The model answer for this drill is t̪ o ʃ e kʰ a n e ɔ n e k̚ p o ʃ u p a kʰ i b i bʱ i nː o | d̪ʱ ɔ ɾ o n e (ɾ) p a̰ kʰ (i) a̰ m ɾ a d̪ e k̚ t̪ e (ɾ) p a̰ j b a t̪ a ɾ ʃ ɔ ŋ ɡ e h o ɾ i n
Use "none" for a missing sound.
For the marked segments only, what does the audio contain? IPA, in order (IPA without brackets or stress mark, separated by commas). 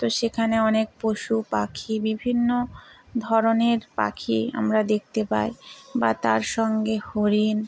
ɾ, i, none